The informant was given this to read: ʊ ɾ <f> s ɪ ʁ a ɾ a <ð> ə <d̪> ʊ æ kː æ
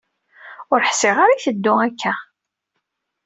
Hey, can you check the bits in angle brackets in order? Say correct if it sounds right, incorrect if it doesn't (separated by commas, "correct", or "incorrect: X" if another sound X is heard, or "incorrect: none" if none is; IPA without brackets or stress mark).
incorrect: ħ, incorrect: θ, incorrect: d̪ː